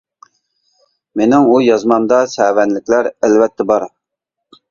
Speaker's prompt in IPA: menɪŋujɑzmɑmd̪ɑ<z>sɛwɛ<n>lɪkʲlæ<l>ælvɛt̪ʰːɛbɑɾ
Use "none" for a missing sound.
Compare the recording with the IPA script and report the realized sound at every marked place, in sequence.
none, n, ɾ

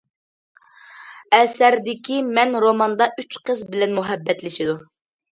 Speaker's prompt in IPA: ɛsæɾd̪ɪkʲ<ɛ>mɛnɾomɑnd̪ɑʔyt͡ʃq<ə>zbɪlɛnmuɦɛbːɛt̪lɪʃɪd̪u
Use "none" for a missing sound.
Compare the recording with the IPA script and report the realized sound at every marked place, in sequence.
i, ə

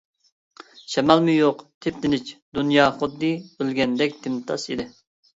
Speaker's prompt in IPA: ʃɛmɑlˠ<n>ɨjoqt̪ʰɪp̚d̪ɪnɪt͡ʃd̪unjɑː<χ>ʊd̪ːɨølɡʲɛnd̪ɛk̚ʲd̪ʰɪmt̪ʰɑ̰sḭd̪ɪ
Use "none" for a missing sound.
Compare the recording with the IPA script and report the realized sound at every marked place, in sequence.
m, χ

